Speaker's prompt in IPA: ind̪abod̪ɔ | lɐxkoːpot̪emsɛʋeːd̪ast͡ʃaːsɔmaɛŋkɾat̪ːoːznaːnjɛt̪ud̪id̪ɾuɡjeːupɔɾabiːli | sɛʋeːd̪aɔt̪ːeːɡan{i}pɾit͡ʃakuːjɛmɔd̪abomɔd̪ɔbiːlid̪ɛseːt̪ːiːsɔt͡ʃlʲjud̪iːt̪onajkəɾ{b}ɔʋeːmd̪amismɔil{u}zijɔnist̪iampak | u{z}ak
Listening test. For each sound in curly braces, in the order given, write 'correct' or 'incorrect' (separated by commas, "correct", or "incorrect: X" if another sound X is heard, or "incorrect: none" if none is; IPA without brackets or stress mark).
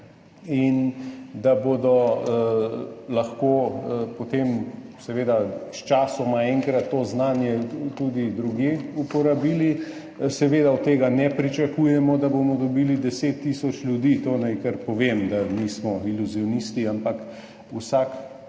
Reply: incorrect: ɛ, incorrect: p, correct, incorrect: s